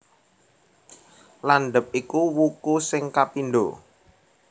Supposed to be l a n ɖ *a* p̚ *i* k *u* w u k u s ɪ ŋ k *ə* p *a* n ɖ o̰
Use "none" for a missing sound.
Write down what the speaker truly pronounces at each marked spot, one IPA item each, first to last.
ə, i, u, a, i

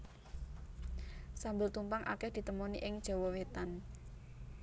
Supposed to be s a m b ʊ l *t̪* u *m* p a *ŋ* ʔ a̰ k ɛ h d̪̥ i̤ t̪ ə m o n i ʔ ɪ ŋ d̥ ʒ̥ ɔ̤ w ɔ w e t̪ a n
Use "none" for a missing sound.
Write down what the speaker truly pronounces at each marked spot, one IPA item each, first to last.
t̪, m, ŋ

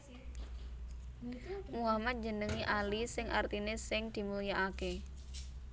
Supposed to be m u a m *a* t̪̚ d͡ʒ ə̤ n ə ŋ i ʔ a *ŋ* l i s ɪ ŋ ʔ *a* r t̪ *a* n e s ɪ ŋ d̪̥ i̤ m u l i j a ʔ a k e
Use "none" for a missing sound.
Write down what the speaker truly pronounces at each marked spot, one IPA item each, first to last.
a, none, a, i

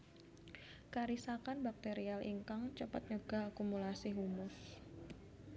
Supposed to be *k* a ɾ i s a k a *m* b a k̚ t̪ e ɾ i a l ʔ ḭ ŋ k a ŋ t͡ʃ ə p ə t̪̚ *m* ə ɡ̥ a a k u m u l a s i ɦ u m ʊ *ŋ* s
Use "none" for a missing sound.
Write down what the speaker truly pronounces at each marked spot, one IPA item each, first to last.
k, n, ɲ, none

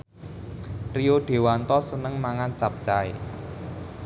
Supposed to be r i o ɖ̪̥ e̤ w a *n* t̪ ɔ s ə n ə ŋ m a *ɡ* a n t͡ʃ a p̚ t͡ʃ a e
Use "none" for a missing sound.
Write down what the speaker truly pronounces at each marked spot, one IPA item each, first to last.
n, ŋ

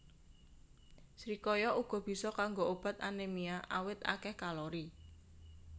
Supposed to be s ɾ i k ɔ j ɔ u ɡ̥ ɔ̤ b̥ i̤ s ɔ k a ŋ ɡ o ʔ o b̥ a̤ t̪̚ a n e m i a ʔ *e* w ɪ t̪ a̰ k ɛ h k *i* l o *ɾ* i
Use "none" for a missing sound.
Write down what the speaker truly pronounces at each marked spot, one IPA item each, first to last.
a, a, ɾ

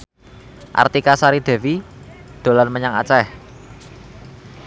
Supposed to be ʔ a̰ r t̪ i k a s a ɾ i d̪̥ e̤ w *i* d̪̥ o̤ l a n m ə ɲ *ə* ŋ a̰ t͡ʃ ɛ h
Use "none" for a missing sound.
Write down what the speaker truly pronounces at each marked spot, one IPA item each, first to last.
i, a

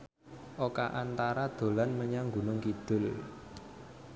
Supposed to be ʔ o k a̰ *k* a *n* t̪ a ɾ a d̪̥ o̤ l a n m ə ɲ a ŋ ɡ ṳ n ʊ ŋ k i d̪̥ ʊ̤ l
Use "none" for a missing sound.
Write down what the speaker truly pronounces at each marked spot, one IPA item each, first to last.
ʔ, n

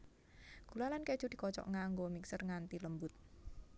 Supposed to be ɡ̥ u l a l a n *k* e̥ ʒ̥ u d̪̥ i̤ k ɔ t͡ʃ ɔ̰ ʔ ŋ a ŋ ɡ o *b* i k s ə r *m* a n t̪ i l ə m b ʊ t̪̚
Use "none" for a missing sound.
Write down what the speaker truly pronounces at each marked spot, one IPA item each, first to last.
k, m, ŋ

